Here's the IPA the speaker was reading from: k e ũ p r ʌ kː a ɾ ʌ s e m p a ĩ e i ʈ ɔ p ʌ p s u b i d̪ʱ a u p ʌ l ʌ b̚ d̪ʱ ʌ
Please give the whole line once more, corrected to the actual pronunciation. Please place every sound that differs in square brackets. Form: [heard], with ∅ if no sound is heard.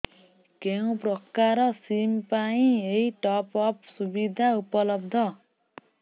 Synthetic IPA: k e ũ p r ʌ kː a ɾ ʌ s [i] m p a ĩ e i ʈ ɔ p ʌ p s u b i d̪ʱ a u p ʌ l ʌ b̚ d̪ʱ ʌ